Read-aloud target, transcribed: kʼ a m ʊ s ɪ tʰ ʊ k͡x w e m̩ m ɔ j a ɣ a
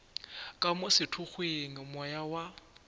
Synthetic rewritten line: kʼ a m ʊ s ɪ tʰ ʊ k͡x w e ŋ̩ m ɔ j a w a